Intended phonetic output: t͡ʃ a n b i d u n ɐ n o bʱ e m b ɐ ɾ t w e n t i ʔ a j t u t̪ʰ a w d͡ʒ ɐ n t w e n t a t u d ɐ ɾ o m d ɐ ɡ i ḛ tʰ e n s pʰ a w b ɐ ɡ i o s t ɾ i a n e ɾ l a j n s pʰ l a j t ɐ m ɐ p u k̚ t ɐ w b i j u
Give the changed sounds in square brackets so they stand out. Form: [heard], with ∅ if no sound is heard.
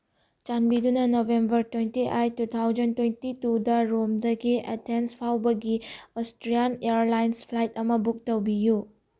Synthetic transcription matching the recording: t͡ʃ a n b i d u n ɐ n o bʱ e m b ɐ ɾ t w e n t i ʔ a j t u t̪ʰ a w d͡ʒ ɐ n t w e n t [i] t u d ɐ ɾ o m d ɐ ɡ i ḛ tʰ e n s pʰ a w b ɐ ɡ i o s t ɾ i a n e ɾ l a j n s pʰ l a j t ɐ m ɐ [b] u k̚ t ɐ w b i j u